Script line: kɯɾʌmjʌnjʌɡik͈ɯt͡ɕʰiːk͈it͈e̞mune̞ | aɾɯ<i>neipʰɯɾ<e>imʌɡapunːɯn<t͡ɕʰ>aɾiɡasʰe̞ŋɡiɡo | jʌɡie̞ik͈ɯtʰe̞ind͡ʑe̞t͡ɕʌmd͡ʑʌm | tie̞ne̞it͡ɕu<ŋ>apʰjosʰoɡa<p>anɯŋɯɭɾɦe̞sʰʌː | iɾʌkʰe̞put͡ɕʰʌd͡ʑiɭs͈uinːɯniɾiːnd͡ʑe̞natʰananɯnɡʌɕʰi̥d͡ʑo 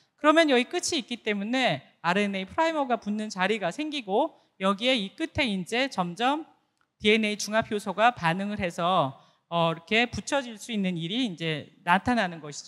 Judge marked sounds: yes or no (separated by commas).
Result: no, no, no, yes, yes